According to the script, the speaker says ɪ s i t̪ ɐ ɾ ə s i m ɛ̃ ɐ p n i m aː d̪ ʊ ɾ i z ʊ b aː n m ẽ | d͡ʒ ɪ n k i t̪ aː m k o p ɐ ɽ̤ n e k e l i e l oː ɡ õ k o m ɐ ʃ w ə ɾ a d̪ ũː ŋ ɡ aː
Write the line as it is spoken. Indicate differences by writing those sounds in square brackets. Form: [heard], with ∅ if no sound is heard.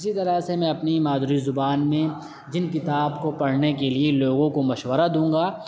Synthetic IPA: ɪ s i t̪ ɐ ɾ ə s [e] m ɛ̃ ɐ p n i m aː d̪ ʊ ɾ i z ʊ b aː n m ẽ | d͡ʒ ɪ n k [ɪ] t̪ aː [b] k o p ɐ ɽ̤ n e k e l i e l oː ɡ õ k o m ɐ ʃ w ə ɾ a d̪ ũː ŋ ɡ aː